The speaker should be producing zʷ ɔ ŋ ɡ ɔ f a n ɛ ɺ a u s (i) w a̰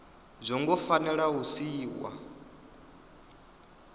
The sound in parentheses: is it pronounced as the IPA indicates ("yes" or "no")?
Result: no